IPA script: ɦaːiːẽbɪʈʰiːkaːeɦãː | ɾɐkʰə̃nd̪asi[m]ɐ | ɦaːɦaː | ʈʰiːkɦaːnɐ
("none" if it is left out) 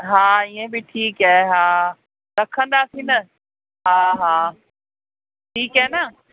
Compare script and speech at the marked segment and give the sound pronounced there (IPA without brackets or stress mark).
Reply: n